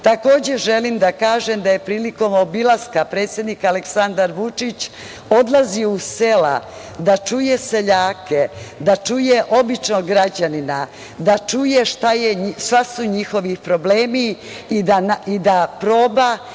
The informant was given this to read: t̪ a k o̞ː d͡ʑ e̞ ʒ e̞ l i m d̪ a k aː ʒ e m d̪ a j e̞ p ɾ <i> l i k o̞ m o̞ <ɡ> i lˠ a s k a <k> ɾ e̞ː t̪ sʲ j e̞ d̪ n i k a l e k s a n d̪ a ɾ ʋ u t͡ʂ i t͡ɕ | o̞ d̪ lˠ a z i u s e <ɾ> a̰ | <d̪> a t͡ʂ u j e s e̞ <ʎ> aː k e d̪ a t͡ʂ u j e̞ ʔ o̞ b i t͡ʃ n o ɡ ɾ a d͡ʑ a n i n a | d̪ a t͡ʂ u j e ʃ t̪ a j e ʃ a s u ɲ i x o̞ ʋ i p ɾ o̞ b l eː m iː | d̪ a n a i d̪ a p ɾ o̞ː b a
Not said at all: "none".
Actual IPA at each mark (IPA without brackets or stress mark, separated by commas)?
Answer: iː, b, p, l, d̪, ʎ